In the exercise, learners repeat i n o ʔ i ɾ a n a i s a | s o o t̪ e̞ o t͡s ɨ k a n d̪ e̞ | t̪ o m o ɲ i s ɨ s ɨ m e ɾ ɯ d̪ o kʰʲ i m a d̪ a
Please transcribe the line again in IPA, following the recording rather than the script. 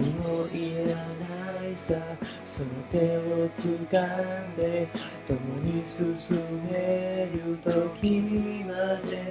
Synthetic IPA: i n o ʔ i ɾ a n a i s a | s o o t̪ e̞ o t͡s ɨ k a n d̪ e̞ | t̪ o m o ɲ i s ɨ s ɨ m e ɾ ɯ t̪ o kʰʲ i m a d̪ e